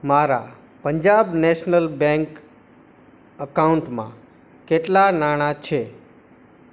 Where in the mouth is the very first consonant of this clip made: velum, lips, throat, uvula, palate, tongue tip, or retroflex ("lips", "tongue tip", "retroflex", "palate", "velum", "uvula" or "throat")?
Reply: lips